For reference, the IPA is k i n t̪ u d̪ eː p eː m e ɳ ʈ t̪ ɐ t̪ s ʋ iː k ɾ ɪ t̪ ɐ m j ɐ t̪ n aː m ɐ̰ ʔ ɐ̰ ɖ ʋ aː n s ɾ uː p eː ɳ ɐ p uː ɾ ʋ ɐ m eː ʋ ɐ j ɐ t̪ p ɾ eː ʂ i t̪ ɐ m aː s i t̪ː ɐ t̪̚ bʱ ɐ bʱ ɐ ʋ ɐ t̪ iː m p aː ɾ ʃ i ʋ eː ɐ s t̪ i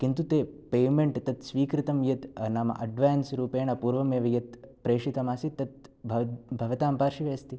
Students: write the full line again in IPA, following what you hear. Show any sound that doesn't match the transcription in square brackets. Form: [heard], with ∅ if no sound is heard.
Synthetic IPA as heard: k i n t̪ u [t̪] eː p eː m e ɳ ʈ t̪ ɐ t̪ s ʋ iː k ɾ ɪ t̪ ɐ m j ɐ t̪ n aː m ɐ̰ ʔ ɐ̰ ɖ ʋ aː n s ɾ uː p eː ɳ ɐ p uː ɾ ʋ ɐ m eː ʋ ɐ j ɐ t̪ p ɾ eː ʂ i t̪ ɐ m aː s i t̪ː ɐ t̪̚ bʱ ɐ bʱ ɐ ʋ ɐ t̪ [aː] m p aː ɾ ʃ i ʋ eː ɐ s t̪ i